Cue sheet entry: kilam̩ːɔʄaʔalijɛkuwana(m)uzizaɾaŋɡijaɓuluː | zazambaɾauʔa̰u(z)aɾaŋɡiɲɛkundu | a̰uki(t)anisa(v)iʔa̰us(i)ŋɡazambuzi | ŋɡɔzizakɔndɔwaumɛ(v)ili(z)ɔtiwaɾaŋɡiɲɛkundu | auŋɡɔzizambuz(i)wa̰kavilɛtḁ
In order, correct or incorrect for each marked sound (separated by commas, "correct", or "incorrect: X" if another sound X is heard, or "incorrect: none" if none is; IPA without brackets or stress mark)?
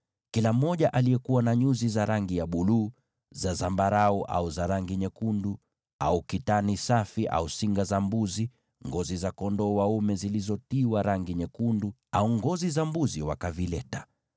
incorrect: ɲ, correct, correct, incorrect: f, correct, incorrect: z, correct, correct